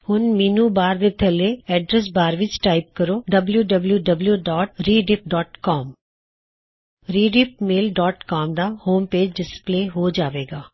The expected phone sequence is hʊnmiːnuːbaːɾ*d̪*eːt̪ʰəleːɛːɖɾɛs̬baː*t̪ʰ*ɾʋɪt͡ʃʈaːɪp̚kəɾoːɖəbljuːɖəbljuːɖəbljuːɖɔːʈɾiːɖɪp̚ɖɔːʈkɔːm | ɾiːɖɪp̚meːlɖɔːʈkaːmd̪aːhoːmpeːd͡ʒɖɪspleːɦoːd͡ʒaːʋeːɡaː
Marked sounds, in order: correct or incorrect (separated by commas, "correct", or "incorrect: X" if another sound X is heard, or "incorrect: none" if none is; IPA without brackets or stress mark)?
correct, incorrect: none